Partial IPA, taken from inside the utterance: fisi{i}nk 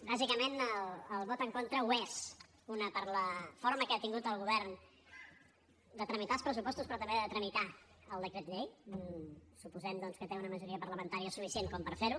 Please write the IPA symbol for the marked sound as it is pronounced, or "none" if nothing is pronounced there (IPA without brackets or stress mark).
e